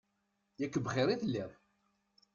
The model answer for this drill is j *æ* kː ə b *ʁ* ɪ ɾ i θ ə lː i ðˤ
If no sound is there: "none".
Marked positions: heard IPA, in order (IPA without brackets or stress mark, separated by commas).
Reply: æ, χ